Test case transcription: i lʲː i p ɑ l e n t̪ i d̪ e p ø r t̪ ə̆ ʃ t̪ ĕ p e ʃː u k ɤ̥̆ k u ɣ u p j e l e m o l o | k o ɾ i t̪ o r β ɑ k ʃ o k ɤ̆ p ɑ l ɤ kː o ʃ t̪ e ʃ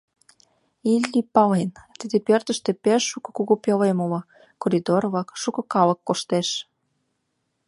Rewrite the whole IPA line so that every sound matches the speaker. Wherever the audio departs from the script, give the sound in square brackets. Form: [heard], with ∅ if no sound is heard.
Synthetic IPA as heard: i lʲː i p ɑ l e n t̪ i d̪ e p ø r t̪ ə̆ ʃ t̪ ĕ p e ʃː u k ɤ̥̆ k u ɣ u p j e l e m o l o | k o ɾ i [d̪] o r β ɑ k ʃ [u] k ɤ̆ [k] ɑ l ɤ kː o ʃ t̪ e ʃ